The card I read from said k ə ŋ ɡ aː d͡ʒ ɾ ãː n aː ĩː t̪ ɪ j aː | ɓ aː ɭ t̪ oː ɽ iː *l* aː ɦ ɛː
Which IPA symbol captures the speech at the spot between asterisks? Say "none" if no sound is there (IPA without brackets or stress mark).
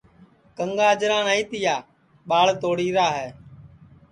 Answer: ɾ